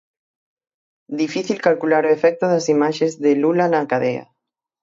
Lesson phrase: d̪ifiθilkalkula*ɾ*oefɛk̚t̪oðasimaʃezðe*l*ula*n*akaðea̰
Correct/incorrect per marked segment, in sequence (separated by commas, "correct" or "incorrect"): correct, correct, correct